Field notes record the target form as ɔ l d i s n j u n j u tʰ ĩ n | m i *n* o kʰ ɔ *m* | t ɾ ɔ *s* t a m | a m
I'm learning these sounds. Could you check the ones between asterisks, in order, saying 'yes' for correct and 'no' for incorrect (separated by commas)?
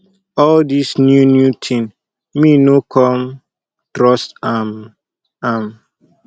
yes, yes, yes